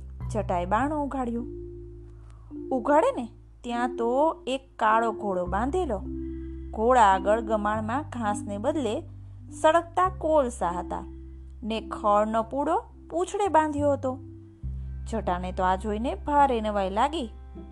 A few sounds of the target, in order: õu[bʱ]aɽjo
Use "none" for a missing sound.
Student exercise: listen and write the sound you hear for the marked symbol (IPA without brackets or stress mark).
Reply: ɡʱ